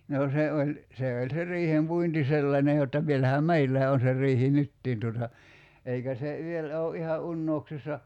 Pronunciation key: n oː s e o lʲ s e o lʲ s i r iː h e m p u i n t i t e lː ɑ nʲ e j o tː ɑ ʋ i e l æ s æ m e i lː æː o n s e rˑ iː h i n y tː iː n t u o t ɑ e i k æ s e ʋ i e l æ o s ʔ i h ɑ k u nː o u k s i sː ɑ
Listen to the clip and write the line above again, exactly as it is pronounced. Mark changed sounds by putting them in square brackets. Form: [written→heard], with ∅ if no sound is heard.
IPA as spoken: n oː s e o lʲ s e o lʲ s [i→e] r iː h e m p u i n t i [t→s] e lː ɑ nʲ e j o tː ɑ ʋ i e l æ [s→h] æ m e i lː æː o n s e rˑ iː h i n y tː iː n t u o t ɑ e i k æ s e ʋ i e l æ o [s→∅] ʔ i h ɑ [k→ʔ] u nː o u k s i sː ɑ